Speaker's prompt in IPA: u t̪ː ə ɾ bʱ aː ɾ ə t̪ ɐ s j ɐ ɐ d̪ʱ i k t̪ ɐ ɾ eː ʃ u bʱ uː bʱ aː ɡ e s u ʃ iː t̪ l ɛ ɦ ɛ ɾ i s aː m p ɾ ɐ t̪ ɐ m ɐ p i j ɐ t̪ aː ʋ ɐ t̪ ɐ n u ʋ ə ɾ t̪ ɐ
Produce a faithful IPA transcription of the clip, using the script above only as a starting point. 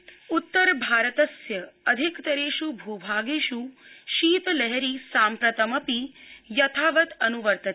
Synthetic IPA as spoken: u t̪ː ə ɾ bʱ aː ɾ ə t̪ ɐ s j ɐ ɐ d̪ʱ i k t̪ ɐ ɾ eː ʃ u bʱ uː bʱ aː ɡ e ʃ u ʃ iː t̪ l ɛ ɦ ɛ ɾ i s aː m p ɾ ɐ t̪ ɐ m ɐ p i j ɐ t̪ʰ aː ʋ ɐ t̪ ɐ n u ʋ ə ɾ t̪ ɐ